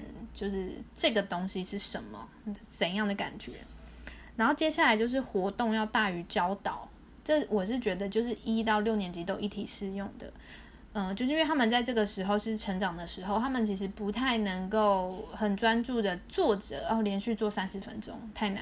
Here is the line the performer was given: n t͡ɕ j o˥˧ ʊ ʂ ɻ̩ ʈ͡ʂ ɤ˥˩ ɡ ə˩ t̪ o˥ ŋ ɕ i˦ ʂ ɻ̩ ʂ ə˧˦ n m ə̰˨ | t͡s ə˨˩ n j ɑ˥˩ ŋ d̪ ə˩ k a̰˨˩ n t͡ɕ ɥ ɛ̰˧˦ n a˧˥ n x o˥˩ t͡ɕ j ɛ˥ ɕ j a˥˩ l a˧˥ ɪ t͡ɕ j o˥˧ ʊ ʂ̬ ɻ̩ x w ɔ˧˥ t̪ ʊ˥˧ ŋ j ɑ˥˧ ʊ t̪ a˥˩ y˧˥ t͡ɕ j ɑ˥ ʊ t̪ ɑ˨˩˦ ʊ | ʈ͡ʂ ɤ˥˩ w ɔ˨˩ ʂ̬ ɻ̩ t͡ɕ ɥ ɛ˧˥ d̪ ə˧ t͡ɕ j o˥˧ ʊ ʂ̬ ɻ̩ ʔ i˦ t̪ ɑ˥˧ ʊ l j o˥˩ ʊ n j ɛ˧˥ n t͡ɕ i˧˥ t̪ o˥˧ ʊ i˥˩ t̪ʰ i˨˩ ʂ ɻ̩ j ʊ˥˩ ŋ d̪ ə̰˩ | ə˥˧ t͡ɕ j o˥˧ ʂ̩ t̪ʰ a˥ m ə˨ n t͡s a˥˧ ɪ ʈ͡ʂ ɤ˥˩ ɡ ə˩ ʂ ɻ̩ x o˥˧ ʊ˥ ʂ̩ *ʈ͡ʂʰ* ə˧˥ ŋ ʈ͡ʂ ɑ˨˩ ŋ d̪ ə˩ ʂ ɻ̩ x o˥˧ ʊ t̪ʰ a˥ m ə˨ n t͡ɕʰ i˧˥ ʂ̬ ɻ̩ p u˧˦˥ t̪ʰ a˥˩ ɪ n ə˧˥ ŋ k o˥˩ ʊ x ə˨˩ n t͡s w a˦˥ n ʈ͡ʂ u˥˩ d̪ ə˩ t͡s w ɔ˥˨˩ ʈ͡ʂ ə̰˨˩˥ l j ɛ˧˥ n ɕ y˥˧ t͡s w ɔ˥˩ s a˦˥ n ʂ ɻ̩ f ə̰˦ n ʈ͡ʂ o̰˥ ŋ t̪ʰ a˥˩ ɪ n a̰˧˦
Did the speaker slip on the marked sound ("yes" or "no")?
no